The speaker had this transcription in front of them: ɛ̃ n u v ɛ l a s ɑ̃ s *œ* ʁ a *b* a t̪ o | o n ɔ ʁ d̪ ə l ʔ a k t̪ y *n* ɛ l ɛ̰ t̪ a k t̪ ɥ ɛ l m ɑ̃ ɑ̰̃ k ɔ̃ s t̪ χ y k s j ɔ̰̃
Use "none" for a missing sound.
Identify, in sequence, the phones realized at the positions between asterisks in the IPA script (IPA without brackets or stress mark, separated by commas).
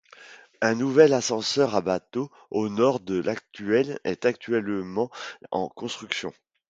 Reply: œ, b, none